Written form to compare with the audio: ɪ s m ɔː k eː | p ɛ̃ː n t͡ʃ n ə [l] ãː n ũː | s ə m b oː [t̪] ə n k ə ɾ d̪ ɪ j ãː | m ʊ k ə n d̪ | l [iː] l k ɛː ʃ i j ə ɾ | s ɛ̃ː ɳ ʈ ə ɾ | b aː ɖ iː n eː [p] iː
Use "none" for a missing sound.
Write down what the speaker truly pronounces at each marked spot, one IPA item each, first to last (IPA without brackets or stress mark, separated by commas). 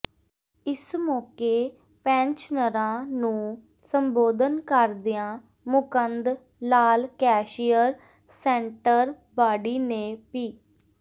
ɾ, d̪, aː, p